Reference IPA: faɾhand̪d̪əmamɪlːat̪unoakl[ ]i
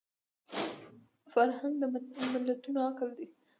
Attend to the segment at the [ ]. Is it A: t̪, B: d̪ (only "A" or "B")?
B